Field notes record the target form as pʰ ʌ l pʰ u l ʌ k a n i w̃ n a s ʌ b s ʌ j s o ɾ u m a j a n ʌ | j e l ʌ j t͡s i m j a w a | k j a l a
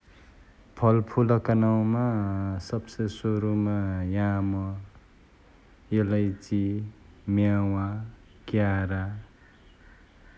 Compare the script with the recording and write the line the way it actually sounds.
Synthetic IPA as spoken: pʰ ʌ l pʰ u l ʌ k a n a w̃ m a s ʌ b s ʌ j s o ɾ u m a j a m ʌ | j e l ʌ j t͡s i m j a w a | k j a ɾ a